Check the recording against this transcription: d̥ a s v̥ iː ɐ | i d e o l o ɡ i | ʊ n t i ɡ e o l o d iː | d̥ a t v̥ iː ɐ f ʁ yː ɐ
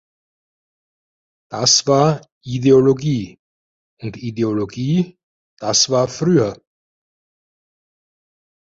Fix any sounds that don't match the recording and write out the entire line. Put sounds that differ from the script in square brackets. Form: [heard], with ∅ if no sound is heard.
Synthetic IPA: d̥ a s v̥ [aː] ɐ | i d e o l o ɡ [iː] | ʊ n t i [d] e o l o [ɡ] iː | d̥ a [s] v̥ [aː] ɐ f ʁ yː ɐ